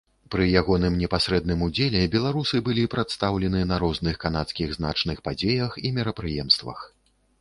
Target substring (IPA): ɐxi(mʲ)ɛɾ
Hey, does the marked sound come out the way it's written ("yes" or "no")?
yes